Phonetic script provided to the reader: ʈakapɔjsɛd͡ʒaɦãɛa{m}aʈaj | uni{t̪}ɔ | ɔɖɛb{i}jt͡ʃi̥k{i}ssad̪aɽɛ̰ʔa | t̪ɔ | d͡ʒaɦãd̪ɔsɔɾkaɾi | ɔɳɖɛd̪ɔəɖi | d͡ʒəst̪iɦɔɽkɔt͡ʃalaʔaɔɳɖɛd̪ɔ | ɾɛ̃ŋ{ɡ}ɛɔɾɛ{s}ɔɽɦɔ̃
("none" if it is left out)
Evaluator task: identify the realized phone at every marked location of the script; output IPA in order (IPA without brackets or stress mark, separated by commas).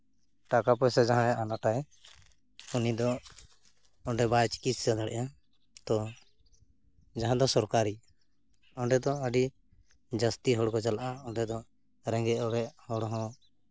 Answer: n, d̪, a, i, ɡ, h